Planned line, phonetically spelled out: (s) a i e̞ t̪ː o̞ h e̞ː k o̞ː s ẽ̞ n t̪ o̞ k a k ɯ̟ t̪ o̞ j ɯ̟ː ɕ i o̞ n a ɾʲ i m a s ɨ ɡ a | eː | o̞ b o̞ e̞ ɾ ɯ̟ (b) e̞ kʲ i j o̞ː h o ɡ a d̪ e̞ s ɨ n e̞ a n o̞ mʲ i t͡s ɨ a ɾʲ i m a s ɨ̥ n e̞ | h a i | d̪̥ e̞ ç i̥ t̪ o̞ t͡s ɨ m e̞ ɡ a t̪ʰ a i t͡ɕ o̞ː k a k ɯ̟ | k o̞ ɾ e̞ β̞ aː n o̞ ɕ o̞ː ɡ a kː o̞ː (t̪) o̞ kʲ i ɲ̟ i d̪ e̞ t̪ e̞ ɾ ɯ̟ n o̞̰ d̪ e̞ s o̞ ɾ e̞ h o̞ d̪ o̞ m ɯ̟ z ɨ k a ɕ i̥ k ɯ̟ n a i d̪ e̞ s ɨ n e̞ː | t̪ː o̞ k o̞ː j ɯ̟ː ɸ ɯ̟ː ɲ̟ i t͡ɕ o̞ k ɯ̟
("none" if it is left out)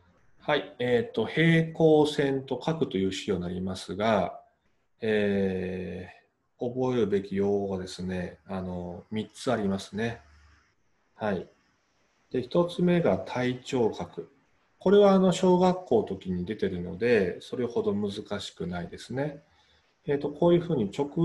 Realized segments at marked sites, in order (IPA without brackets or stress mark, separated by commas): h, b, t̪